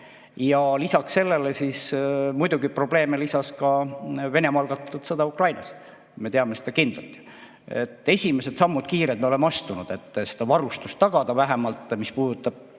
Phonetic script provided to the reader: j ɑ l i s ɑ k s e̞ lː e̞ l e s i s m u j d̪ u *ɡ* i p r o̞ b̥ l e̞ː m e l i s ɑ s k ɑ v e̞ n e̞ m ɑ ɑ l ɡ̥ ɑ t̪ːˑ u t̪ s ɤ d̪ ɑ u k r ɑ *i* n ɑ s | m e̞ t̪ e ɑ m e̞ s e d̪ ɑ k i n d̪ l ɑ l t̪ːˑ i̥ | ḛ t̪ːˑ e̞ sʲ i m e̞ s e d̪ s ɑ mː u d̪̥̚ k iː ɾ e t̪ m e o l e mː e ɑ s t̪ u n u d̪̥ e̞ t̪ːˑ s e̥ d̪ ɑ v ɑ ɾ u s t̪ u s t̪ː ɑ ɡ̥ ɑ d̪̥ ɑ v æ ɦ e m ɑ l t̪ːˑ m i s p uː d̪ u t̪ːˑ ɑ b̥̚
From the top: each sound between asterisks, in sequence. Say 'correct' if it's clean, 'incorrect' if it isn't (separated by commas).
correct, incorrect